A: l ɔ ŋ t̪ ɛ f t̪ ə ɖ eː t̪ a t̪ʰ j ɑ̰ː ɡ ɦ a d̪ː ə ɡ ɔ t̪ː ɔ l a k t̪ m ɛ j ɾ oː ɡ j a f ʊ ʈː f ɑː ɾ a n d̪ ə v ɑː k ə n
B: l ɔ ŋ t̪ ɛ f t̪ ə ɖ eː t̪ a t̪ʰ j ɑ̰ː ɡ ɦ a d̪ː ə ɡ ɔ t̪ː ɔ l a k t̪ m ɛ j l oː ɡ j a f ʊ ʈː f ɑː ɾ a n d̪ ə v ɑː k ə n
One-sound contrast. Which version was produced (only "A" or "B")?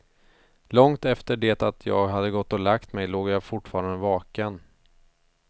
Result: B